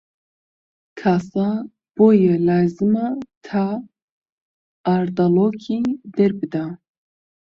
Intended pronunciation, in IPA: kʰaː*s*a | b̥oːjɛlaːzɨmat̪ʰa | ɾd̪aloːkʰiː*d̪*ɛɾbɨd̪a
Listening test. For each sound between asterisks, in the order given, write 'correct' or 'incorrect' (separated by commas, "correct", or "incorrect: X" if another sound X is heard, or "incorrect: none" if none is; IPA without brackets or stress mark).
correct, correct